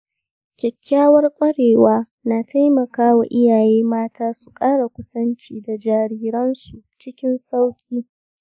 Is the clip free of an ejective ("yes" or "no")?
no